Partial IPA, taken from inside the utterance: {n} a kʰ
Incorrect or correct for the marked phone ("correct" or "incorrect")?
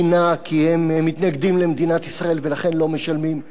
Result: correct